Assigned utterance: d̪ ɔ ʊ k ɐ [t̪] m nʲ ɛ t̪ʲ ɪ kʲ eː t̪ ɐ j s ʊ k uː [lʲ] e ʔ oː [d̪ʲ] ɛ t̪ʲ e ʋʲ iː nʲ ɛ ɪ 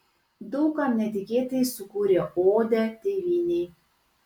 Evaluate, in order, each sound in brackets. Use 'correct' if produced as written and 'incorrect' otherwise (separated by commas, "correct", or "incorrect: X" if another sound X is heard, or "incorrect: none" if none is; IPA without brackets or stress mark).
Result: incorrect: none, incorrect: ɾʲ, correct